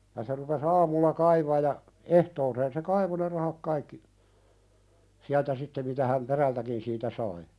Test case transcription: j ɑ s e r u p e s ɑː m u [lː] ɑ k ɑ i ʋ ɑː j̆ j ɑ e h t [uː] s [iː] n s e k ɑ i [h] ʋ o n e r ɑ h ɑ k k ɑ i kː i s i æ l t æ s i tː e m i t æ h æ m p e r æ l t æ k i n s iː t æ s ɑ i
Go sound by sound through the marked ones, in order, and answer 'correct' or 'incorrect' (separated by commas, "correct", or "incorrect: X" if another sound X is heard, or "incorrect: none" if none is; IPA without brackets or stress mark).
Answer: correct, incorrect: oː, incorrect: eː, incorrect: none